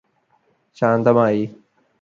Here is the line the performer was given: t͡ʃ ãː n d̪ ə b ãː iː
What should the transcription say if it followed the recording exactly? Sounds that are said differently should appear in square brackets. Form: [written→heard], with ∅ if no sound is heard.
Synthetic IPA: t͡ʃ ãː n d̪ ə [b→m] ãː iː